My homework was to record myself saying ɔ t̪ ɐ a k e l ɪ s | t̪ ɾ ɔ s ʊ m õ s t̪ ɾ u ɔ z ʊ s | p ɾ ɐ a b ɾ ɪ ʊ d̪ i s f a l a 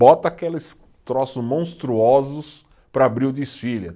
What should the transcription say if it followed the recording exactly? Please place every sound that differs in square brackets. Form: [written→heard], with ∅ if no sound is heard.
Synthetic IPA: ɔ t̪ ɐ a k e l ɪ s | t̪ ɾ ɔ s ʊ m õ s t̪ ɾ u ɔ z ʊ s | p ɾ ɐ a b ɾ [ɪ→i] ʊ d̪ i s f [a→i] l [a→ɐ]